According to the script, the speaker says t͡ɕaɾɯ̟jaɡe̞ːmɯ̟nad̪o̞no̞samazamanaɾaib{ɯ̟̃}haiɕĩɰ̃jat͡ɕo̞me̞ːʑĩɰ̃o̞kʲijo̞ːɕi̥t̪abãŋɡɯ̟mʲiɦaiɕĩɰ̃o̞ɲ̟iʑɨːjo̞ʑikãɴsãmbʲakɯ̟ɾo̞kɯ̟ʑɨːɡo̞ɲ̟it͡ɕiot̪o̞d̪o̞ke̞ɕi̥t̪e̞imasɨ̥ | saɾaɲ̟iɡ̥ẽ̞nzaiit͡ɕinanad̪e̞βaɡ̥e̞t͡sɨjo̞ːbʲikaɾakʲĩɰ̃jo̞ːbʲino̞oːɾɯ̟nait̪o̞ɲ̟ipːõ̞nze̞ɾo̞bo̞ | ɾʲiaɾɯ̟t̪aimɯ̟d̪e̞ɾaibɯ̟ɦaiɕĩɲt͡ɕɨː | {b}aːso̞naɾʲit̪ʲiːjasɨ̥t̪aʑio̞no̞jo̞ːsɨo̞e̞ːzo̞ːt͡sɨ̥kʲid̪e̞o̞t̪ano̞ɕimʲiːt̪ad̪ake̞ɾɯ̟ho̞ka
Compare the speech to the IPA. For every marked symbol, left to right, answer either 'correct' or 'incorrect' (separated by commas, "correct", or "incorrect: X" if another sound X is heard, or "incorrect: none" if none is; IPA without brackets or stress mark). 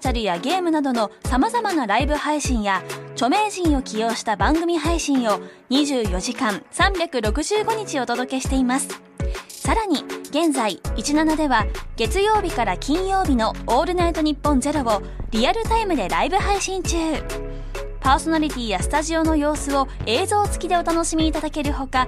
incorrect: ɯ̟, incorrect: p